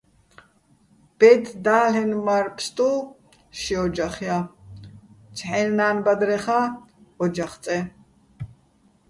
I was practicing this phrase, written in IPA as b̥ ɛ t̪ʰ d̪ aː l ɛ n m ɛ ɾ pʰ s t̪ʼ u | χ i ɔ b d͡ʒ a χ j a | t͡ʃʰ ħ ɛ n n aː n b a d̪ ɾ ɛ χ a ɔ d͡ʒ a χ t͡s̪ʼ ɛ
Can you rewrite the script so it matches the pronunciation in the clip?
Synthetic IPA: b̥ ɛ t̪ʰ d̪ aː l ɛ n m a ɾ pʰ s t̪ʼ u | ʃ i ɔ d͡ʒ a χ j a | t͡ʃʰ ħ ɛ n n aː n b a d̪ ɾ ɛ χ a ɔ d͡ʒ a χ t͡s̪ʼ ɛ